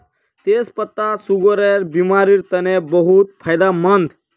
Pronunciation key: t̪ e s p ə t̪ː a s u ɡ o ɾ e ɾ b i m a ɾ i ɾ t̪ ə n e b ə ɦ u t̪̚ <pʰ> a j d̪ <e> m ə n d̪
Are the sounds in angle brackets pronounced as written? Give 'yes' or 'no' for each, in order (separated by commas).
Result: yes, no